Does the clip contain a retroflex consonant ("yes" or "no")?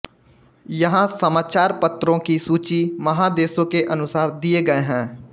no